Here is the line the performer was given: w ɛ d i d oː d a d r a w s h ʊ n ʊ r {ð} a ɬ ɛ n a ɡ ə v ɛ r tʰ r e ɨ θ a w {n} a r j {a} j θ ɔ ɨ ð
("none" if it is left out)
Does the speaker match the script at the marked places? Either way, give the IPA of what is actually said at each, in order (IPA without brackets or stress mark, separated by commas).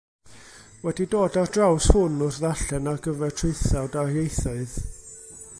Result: ð, d, e